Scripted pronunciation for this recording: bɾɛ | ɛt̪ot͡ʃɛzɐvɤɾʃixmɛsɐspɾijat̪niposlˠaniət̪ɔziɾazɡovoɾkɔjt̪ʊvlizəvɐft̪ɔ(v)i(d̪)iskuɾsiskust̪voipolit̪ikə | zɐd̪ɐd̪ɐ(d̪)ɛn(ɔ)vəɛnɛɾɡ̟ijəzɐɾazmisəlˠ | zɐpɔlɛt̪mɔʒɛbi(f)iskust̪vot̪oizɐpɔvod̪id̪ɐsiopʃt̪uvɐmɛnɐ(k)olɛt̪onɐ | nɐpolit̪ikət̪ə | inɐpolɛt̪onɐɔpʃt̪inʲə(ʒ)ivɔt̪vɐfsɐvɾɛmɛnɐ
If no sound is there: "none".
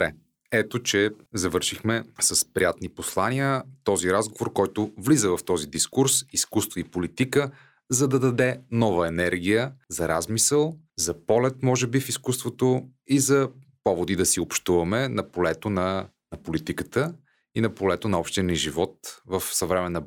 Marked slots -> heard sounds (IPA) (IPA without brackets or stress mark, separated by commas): z, d̪, d̪, ɔ, f, p, ʒ